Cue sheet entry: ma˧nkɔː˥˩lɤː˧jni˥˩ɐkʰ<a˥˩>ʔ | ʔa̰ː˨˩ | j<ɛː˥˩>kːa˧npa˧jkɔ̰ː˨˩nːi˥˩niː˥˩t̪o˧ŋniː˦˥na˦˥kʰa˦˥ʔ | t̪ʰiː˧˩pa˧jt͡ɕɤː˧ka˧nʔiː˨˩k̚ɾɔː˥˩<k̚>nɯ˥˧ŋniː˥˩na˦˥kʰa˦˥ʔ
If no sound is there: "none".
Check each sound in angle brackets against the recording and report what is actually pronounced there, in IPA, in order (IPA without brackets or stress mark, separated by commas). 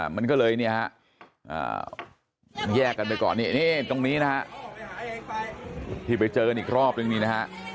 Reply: a˦˥, ɛː˥˩, p̚